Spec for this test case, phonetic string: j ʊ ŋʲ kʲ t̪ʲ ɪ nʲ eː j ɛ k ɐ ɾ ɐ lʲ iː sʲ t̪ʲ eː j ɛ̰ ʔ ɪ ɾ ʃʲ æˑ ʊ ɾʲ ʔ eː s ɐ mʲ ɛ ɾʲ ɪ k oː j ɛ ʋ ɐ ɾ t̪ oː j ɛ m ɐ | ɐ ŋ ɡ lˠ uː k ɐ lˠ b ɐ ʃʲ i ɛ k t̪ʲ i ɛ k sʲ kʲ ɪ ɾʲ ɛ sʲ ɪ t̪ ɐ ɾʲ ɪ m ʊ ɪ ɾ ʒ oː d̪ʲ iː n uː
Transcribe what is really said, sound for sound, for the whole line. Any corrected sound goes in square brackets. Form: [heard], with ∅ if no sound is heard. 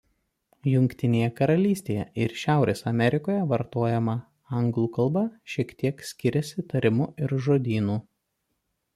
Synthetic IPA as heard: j ʊ ŋʲ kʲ t̪ʲ ɪ nʲ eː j ɛ k ɐ ɾ ɐ lʲ iː sʲ t̪ʲ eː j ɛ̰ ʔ ɪ ɾ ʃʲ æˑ ʊ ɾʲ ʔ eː s ɐ mʲ ɛ ɾʲ ɪ k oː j ɛ ʋ ɐ ɾ t̪ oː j ɛ m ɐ | ɐ ŋ ɡ lˠ uː k ɐ lˠ b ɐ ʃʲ i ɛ k t̪ʲ i ɛ k sʲ kʲ ɪ ɾʲ ɛ sʲ ɪ t̪ ɐ ɾʲ ɪ m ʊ ɪ ɾ ʒ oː d̪ʲ iː n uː